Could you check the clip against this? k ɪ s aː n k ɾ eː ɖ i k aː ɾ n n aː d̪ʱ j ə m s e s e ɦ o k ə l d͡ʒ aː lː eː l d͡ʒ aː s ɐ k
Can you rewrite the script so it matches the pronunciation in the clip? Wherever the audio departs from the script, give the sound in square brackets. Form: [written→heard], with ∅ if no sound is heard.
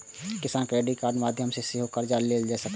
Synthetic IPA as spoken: k ɪ s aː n k ɾ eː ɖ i k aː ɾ n [n→m] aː d̪ʱ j ə m s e s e ɦ o k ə [l→ɾ] d͡ʒ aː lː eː l d͡ʒ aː s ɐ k